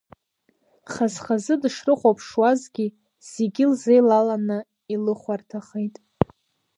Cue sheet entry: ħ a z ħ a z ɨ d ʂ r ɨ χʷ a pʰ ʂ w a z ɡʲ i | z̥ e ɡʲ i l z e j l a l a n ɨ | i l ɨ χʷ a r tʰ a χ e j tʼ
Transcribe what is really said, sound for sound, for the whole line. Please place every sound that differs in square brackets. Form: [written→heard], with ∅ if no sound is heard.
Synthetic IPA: [ħ→χ] a z [ħ→χ] a z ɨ d ʂ r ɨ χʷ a pʰ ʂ w a z ɡʲ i | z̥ e ɡʲ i l z e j l a l a n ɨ | i l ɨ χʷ a r tʰ a χ e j tʼ